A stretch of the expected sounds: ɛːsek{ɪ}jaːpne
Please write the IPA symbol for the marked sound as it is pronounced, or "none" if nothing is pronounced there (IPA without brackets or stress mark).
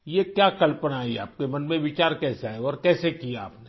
i